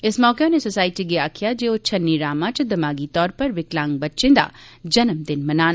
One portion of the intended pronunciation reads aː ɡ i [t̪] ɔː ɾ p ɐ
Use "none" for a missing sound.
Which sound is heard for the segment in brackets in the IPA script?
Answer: t̪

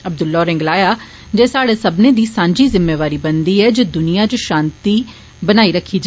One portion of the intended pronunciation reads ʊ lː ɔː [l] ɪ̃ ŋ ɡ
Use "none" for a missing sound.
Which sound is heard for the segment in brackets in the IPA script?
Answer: ɾ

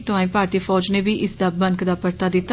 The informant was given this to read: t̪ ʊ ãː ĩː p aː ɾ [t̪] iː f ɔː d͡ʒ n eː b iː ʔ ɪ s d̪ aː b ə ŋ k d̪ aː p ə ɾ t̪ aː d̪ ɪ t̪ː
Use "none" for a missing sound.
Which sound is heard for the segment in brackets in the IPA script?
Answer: t̪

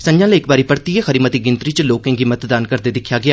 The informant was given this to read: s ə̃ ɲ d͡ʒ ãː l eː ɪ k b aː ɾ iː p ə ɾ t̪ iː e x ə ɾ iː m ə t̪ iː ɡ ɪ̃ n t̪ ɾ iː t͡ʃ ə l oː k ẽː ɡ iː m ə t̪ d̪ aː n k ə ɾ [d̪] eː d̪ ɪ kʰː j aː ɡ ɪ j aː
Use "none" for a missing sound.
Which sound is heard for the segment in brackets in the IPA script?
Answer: d̪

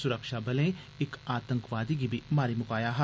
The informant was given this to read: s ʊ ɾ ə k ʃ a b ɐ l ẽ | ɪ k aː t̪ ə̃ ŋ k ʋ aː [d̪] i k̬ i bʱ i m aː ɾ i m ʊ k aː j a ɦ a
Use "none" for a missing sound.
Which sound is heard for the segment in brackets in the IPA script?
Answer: d̪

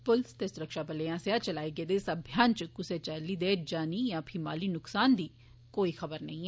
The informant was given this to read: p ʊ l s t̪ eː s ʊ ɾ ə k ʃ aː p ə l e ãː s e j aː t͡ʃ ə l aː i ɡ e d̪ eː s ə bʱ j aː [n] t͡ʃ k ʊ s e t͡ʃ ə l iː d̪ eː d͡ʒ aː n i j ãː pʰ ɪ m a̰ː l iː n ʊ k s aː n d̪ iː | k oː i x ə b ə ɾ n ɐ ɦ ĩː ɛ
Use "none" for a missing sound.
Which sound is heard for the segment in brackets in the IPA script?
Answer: n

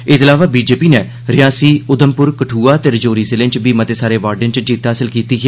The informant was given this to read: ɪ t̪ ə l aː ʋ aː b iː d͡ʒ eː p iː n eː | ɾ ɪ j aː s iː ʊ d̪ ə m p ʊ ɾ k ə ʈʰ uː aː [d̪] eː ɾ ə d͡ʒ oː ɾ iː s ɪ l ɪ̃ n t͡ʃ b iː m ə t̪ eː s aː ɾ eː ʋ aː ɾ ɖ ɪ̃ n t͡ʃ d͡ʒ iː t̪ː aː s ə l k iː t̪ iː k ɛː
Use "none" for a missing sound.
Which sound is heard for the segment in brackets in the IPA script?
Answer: t̪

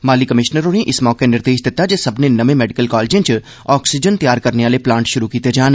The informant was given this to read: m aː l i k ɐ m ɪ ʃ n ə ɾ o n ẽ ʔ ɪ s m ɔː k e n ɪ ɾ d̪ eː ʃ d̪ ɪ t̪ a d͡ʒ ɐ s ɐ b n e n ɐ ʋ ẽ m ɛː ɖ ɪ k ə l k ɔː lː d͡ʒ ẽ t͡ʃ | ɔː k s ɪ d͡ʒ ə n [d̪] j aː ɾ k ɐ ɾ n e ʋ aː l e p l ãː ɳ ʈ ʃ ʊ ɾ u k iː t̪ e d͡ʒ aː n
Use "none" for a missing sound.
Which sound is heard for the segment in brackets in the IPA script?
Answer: t̪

